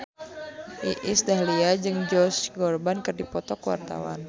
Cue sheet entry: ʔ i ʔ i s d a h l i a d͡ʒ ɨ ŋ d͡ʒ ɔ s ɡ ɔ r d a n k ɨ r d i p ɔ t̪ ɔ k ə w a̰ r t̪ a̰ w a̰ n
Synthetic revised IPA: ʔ i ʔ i s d a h l i a d͡ʒ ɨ ŋ d͡ʒ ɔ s ɡ ɔ r b a n k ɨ r d i p ɔ t̪ ɔ k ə w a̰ r t̪ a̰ w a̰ n